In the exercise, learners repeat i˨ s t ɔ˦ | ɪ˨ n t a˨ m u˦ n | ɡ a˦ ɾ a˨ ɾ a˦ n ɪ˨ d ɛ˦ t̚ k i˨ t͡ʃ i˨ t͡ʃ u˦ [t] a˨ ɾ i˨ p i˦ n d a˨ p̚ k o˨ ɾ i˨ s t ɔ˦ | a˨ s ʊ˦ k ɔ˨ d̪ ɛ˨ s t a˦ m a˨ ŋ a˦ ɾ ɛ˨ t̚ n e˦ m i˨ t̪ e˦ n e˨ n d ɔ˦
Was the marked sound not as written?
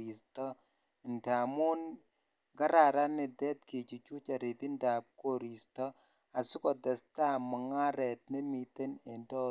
yes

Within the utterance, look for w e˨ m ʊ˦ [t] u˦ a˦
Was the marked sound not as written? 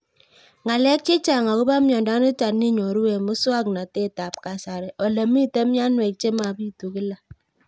yes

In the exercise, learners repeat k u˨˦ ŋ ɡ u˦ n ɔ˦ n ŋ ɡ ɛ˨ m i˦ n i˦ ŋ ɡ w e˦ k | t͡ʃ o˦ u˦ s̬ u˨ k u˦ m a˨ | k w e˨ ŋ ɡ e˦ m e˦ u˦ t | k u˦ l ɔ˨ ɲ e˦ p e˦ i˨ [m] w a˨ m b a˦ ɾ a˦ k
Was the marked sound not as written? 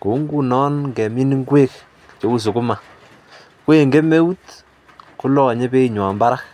yes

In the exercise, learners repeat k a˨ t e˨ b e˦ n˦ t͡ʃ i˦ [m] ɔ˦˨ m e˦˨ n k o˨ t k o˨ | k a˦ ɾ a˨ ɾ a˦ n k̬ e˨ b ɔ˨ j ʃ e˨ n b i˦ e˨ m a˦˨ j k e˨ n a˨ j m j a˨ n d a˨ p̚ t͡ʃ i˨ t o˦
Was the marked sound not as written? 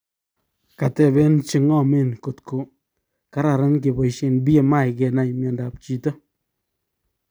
yes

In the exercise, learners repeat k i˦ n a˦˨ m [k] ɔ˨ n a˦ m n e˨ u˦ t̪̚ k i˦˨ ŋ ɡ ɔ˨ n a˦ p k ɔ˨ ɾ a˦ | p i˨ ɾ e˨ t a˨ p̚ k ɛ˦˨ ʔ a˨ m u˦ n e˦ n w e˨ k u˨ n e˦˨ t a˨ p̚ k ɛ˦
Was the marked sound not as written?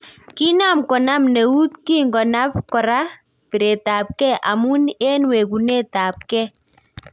no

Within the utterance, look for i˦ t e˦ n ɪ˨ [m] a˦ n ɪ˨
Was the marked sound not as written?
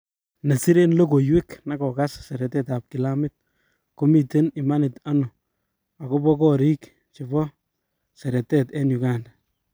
no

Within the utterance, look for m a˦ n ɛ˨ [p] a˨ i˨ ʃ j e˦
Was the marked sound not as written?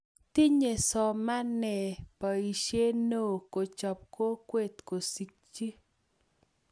no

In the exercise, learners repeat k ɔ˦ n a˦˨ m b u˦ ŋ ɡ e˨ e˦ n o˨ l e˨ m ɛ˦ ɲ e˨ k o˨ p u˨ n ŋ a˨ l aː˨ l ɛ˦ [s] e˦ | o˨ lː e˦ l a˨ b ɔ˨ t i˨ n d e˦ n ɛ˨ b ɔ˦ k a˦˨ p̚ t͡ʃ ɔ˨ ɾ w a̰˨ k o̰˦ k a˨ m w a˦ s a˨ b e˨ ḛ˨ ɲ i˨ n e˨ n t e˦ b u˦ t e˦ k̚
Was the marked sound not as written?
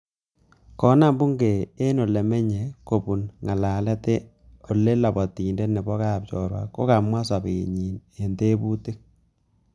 yes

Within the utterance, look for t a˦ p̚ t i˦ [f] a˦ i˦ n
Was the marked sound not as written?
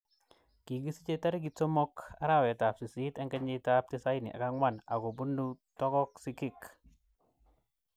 yes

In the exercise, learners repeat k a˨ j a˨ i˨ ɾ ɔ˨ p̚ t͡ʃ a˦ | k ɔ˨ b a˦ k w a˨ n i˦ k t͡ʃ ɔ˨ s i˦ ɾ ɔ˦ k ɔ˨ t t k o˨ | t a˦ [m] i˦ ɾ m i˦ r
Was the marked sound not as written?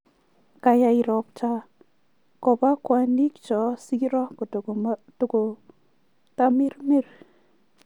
no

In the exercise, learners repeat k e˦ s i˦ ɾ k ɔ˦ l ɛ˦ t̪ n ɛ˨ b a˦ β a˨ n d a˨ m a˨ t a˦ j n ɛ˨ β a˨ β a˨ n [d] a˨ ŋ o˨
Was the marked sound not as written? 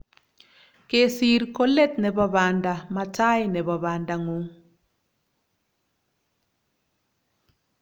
no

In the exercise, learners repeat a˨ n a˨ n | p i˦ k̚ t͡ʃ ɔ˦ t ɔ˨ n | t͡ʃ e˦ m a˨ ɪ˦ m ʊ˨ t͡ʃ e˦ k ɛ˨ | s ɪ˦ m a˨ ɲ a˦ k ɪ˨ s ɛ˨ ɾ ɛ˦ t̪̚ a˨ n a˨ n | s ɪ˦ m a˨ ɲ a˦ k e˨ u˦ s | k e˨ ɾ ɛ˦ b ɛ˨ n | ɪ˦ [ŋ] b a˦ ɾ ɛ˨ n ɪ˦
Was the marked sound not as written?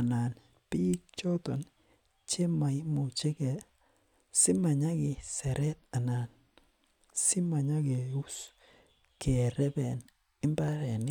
yes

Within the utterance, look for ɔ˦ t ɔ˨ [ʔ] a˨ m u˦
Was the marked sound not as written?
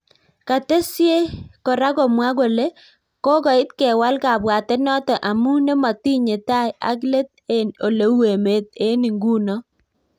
no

